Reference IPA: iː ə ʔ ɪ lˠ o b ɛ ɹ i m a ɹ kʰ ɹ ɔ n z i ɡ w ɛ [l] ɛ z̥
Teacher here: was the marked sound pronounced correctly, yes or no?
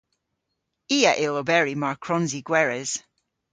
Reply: no